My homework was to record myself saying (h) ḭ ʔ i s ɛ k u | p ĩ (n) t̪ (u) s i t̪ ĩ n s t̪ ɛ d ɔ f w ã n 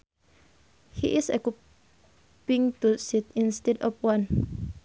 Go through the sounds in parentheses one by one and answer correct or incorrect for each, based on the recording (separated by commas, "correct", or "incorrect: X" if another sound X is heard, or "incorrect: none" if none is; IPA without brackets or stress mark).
correct, incorrect: ŋ, correct